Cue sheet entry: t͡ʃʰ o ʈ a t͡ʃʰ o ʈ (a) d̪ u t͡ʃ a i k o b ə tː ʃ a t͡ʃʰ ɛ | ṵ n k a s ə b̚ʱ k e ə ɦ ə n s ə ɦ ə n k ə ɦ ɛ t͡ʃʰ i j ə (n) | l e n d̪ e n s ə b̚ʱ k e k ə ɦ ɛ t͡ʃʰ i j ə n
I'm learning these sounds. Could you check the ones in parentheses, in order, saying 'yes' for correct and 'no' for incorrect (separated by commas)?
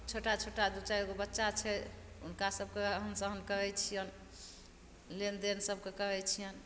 yes, yes